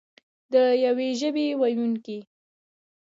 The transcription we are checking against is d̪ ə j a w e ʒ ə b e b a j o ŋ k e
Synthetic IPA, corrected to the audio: d̪ ə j a w e ʒ ə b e w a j u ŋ k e